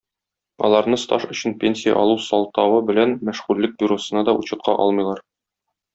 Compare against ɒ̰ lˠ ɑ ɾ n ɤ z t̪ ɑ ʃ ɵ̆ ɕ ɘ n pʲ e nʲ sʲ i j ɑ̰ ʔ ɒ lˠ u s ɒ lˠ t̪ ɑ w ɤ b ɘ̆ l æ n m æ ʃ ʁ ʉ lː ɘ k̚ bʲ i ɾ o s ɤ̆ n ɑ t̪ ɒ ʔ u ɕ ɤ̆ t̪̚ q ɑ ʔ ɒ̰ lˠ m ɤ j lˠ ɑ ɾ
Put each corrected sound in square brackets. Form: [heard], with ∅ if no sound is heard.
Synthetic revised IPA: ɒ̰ lˠ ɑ ɾ n ɤ [s] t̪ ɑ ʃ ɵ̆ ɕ ɘ n pʲ e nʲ sʲ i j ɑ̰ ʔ ɒ lˠ u s ɒ lˠ t̪ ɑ w ɤ b ɘ̆ l æ n m æ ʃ ʁ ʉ lː ɘ k̚ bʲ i ɾ o s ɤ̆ n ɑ [d̪] ɒ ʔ u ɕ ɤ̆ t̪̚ q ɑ ʔ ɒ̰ lˠ m ɤ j lˠ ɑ ɾ